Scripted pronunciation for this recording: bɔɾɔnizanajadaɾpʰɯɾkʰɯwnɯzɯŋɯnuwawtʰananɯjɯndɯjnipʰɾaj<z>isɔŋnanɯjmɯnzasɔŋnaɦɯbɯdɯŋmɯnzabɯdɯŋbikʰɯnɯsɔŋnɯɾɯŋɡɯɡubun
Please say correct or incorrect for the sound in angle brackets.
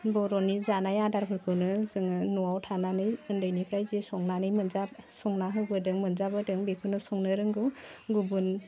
correct